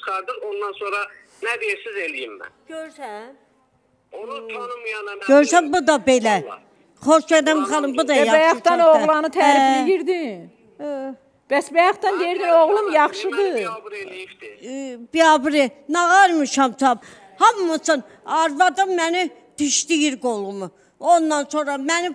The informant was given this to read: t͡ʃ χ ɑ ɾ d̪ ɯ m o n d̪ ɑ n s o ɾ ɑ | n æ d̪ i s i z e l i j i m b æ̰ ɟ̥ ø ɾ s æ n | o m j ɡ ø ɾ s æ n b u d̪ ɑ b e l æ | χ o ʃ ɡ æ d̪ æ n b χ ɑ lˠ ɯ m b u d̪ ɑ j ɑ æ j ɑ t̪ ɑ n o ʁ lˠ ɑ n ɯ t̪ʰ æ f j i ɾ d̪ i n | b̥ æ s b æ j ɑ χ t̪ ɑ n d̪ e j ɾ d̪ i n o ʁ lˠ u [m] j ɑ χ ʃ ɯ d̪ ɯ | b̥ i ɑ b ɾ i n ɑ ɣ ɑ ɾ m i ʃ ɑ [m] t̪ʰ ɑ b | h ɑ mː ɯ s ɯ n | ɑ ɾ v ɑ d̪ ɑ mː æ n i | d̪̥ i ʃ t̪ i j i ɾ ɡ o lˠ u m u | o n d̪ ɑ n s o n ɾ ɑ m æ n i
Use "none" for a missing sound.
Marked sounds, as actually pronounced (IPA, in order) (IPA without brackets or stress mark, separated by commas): m, m